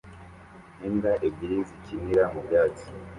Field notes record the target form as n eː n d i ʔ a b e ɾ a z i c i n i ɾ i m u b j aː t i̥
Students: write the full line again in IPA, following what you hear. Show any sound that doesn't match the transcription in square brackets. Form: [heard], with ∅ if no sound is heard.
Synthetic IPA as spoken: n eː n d [a] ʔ [e] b [i] ɾ [i] z i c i n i ɾ [a] m u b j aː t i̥